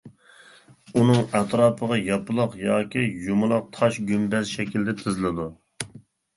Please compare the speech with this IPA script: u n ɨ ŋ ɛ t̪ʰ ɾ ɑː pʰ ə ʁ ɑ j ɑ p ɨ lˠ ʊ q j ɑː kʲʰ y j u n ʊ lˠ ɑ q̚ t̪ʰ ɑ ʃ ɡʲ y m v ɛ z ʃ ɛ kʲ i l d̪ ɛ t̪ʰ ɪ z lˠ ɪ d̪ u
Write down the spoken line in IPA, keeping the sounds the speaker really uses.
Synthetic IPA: u n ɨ ŋ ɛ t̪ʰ ɾ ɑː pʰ ə ʁ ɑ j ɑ p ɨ lˠ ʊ q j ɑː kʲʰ i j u m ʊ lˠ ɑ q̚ t̪ʰ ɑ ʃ ɡʲ y m b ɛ z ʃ ɛ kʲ i l d̪ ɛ t̪ʰ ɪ z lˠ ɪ d̪ u